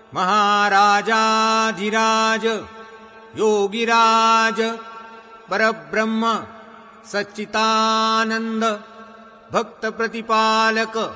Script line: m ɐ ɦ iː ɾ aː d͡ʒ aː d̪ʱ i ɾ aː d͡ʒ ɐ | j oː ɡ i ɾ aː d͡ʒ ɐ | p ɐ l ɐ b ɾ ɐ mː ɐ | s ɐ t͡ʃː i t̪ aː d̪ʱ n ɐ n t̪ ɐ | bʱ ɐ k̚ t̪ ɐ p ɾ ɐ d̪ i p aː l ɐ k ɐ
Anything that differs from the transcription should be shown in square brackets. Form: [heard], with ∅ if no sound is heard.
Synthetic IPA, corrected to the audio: m ɐ ɦ [aː] ɾ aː d͡ʒ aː d̪ʱ i ɾ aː d͡ʒ ɐ | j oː ɡ i ɾ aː d͡ʒ ɐ | p ɐ [ɾ] ɐ b ɾ ɐ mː ɐ | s ɐ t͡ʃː i t̪ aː [∅] n ɐ n [d̪] ɐ | bʱ ɐ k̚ t̪ ɐ p ɾ ɐ [t̪] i p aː l ɐ k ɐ